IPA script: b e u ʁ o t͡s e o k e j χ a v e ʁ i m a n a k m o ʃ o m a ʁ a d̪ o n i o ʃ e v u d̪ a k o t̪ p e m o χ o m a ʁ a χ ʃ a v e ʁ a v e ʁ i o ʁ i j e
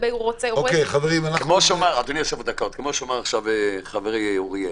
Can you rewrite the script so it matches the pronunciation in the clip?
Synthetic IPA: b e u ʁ o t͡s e o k e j χ a v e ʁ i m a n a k m o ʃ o m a ʁ a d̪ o n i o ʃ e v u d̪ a k o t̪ k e m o ʃ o m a ʁ a χ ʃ a v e χ a v e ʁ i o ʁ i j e

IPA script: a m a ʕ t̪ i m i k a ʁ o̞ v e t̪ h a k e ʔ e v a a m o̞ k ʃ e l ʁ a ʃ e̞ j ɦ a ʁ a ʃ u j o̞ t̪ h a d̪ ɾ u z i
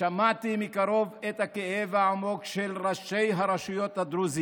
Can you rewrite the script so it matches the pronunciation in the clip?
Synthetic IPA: a m a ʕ t̪ i m i k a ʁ o̞ v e t̪ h a k e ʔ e v a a m o̞ k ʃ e l ʁ a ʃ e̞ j ɦ a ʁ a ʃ u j o̞ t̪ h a d̪ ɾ u z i

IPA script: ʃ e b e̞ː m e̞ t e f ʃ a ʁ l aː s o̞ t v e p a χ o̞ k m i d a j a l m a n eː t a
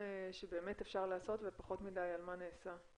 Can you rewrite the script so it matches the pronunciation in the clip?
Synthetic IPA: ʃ e b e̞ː m e̞ t e f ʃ a ʁ l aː s o̞ t v e p a χ o̞ t m i d a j a l m a n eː s a

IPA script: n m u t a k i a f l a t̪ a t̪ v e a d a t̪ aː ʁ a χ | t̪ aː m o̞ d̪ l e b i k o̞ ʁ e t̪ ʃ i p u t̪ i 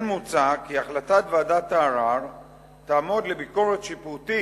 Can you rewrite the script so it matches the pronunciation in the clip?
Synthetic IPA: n m u t͡s a k i a χ l a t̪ a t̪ v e a d a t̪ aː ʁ a ʁ | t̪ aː m o̞ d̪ l e b i k o̞ ʁ e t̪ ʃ i p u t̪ i

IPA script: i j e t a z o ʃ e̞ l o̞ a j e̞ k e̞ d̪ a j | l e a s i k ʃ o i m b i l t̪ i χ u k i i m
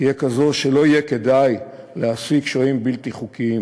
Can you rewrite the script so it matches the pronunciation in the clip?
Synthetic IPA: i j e k a z o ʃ e̞ l o̞ i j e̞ k e̞ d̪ a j | l e a s i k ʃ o i m b i l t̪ i χ u k i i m

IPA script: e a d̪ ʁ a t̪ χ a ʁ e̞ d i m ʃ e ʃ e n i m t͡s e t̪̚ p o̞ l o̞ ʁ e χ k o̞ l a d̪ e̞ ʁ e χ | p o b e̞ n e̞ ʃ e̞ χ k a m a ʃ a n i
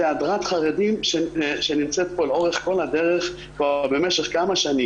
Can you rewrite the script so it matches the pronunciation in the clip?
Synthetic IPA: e a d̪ ʁ a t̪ χ a ʁ e̞ d i m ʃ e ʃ e n i m t͡s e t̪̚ p o̞ l o̞ ʁ e χ k o̞ l a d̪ e̞ ʁ e χ | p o b e̞ m e̞ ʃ e̞ χ k a m a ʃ a n i

